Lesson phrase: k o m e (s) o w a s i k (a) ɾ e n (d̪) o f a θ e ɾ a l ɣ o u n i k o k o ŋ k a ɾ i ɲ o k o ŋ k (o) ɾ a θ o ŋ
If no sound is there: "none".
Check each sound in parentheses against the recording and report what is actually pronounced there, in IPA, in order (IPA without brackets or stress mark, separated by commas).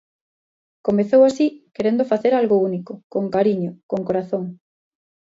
θ, e, d̪, o